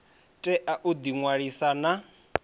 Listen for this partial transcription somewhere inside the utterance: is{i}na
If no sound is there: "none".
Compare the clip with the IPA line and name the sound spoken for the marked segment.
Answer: a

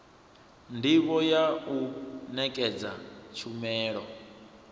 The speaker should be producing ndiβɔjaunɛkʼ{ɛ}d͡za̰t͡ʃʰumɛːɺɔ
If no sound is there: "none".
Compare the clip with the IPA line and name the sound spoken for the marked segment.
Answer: ɛ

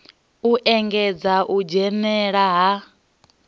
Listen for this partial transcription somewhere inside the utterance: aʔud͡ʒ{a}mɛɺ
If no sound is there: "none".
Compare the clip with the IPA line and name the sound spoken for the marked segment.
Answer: ɛ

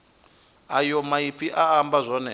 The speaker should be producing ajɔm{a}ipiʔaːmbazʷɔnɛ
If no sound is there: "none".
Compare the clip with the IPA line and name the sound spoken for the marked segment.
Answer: a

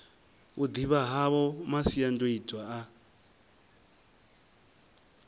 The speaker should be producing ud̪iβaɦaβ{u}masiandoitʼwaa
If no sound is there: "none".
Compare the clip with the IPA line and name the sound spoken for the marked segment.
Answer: ɔ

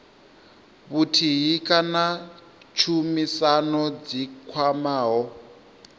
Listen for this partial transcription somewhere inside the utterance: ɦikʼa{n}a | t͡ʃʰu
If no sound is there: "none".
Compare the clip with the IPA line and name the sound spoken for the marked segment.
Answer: n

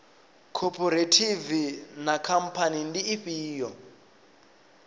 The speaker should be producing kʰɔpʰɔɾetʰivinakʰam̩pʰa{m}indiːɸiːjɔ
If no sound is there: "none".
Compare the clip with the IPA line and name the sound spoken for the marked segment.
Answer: n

